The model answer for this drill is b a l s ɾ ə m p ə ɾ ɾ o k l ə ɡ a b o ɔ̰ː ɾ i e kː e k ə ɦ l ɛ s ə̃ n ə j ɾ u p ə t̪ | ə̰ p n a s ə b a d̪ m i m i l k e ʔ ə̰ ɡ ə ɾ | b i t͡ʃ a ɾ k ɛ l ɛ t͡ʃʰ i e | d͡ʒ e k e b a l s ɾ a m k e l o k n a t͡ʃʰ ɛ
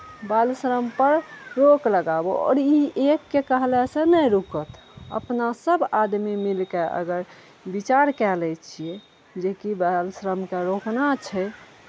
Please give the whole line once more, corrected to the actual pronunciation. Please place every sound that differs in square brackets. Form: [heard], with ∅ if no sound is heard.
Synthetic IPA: b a l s ɾ ə m p ə ɾ ɾ o k l ə ɡ a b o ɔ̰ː ɾ i e kː e k ə ɦ l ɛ s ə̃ n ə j ɾ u [k] ə t̪ | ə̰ p n a s ə b a d̪ m i m i l k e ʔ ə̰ ɡ ə ɾ | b i t͡ʃ a ɾ k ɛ l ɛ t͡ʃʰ i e | d͡ʒ e k [i] b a l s ɾ [ə] m k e [ɾ] o k n a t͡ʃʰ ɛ